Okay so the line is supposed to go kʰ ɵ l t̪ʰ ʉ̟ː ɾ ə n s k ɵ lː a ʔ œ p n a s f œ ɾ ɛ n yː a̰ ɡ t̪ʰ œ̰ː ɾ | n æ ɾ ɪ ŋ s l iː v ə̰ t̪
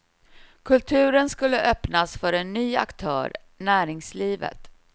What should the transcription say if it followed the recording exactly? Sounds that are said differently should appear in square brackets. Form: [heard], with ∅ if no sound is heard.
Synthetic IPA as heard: kʰ ɵ l t̪ʰ ʉ̟ː ɾ ə n s k ɵ lː [ə] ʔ œ p n a s f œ ɾ ɛ [nː] yː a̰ [k] t̪ʰ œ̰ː ɾ | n [æː] ɾ ɪ ŋ s l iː v ə̰ t̪